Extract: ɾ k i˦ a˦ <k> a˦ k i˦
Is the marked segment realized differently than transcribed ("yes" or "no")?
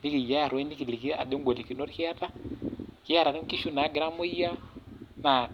yes